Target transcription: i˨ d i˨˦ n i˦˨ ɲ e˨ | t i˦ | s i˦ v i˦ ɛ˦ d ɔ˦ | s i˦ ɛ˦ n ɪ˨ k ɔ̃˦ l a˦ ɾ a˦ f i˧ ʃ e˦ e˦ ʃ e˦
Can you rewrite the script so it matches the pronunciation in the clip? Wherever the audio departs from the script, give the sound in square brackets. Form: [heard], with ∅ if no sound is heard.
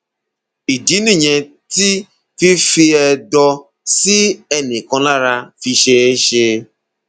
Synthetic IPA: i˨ d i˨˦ n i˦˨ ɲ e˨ | t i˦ | [f] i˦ [f] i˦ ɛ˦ d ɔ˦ | s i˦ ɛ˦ n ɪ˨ k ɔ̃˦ l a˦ ɾ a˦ f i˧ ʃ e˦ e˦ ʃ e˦